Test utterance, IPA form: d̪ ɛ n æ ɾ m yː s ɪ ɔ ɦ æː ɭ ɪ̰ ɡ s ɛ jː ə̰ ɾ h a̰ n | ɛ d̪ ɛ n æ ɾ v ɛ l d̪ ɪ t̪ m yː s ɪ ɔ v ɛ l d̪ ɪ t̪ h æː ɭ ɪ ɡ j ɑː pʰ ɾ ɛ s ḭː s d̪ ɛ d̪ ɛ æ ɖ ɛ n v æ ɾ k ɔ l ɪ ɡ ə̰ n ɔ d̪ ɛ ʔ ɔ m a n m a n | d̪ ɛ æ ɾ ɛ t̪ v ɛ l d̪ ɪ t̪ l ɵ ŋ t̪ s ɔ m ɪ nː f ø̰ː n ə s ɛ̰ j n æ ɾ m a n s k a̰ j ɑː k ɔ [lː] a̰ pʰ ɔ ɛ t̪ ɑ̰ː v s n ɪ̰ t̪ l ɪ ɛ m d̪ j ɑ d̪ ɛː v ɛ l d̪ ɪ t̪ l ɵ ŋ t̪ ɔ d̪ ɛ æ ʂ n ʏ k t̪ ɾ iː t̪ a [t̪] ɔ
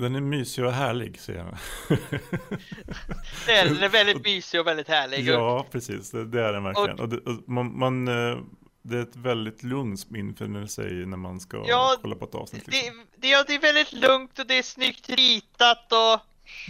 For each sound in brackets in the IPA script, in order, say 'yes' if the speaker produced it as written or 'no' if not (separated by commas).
yes, yes